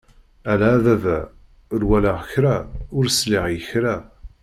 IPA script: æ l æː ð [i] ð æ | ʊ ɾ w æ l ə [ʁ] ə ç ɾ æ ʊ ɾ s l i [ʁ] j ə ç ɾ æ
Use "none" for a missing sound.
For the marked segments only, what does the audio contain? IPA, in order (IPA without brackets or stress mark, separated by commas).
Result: æ, ʁ, ʁ